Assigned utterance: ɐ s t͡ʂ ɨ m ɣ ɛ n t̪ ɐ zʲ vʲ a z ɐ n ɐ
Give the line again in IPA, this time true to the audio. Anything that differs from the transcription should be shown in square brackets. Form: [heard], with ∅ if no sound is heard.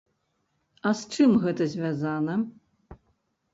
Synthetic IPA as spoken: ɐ s t͡ʂ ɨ m ɣ ɛ [∅] t̪ ɐ zʲ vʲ a z [a] n ɐ